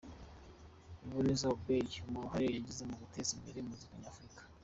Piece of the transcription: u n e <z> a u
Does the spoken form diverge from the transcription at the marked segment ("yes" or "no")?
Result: no